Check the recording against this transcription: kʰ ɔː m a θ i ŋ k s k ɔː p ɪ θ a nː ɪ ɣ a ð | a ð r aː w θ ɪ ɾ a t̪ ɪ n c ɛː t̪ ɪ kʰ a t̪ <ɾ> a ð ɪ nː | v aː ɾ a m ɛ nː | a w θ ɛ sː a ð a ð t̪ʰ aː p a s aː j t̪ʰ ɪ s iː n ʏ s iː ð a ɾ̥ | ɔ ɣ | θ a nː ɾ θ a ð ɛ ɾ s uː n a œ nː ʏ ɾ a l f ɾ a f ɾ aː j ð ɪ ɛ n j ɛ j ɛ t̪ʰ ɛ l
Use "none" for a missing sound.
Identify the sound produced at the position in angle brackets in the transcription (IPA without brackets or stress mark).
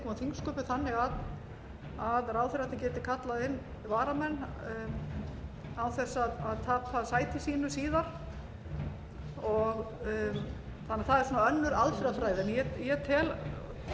l